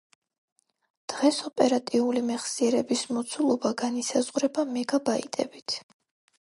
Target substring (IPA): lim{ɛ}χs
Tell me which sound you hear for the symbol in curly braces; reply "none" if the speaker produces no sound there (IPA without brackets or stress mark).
ɛ